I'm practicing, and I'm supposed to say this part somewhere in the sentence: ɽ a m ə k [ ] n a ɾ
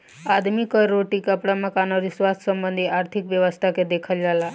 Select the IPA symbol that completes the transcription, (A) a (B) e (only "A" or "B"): A